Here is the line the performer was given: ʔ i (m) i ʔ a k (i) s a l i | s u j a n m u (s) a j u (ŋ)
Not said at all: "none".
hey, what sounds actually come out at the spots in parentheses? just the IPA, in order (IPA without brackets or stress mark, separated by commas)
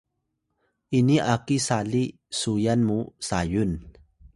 n, i, s, n